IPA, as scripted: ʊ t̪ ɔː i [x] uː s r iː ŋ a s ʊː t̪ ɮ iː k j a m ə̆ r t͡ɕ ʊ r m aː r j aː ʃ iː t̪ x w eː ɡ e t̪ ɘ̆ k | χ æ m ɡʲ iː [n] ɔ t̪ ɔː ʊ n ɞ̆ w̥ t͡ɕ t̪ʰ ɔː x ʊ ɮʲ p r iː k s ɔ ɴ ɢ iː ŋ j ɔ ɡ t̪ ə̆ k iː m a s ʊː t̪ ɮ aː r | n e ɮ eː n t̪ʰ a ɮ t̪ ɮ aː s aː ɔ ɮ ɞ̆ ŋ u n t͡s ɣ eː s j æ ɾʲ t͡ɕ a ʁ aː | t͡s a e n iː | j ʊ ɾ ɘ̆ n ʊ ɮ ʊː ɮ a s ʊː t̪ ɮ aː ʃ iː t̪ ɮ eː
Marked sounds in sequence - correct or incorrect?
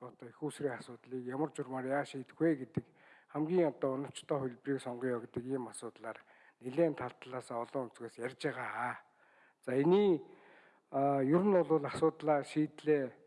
correct, incorrect

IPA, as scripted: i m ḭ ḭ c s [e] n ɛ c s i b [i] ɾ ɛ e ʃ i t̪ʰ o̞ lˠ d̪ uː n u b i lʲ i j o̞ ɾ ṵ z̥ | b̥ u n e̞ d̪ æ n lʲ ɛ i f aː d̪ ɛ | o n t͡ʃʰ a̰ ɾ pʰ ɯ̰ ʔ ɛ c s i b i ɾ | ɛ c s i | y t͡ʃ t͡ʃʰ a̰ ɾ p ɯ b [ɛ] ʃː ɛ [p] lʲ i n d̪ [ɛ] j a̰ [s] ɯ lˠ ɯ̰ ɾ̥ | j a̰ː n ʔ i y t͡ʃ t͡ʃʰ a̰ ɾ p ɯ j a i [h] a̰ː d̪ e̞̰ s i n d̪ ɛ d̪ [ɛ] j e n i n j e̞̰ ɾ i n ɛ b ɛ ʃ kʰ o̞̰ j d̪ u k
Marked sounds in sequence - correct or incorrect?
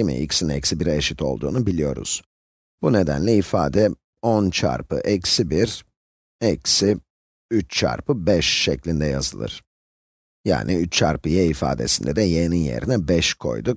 incorrect, correct, correct, incorrect, correct, incorrect, incorrect, correct

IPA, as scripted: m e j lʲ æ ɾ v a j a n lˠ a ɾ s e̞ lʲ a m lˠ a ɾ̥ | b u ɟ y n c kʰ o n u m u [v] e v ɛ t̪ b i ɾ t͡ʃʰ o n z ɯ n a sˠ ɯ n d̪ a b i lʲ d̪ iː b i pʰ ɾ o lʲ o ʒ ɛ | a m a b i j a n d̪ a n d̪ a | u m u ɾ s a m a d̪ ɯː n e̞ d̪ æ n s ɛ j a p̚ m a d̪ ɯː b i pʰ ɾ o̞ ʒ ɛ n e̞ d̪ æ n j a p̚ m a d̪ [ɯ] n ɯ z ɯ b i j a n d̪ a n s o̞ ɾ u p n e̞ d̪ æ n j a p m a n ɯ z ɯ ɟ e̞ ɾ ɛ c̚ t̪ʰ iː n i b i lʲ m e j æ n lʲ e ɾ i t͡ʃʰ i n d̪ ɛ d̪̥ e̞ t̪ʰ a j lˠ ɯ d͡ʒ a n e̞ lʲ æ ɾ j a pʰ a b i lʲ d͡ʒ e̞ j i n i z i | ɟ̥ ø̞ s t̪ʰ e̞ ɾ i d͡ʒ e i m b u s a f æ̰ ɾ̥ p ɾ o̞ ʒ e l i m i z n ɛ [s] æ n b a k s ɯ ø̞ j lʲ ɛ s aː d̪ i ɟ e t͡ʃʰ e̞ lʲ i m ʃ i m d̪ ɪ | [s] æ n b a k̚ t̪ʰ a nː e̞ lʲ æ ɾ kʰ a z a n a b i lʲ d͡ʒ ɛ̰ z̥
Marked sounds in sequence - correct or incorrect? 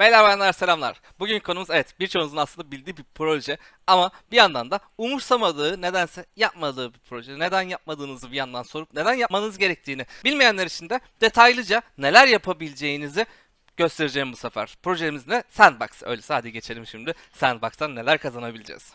incorrect, incorrect, correct, correct

